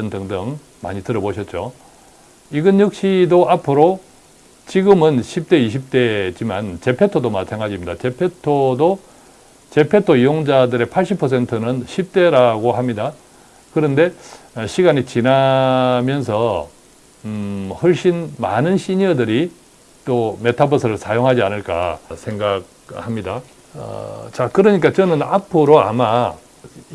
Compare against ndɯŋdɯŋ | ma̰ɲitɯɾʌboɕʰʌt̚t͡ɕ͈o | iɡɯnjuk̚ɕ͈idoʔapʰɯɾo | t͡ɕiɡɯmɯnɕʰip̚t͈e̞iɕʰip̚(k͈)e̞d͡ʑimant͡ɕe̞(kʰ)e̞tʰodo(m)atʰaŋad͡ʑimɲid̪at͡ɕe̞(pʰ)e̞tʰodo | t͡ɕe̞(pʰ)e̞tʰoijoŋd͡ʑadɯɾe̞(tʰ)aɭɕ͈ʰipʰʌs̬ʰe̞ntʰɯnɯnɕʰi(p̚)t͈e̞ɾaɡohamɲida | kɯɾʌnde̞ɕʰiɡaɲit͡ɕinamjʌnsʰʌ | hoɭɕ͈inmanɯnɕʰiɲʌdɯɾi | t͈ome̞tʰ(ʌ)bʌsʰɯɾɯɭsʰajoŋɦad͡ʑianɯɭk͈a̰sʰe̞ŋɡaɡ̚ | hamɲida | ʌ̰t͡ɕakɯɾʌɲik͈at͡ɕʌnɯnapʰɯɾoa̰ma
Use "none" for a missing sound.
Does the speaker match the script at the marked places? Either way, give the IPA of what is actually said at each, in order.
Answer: t͈, pʰ, m, pʰ, pʰ, pʰ, p̚, a

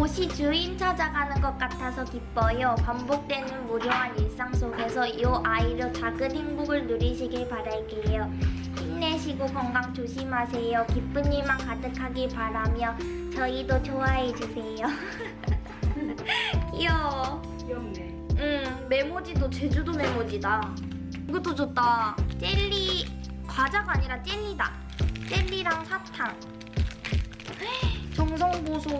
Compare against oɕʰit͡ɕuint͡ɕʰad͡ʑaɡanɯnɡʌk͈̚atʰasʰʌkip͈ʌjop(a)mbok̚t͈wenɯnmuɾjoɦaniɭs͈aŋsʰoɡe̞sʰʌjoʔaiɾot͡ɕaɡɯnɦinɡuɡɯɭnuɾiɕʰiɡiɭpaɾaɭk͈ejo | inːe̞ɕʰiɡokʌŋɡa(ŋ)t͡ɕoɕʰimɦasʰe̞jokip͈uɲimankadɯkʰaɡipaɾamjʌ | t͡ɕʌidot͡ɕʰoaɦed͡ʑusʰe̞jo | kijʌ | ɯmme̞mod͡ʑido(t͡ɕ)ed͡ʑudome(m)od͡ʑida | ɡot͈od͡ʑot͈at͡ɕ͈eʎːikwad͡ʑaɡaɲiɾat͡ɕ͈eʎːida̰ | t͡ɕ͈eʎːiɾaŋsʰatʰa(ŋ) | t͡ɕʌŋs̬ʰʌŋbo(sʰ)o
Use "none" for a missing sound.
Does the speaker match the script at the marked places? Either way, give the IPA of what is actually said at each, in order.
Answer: a, ŋ, t͡ɕ, m, ŋ, sʰ

